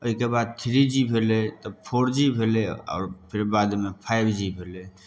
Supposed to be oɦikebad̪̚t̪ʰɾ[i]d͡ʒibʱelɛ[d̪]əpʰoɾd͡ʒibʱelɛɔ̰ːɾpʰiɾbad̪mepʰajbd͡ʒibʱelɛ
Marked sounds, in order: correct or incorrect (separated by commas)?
correct, incorrect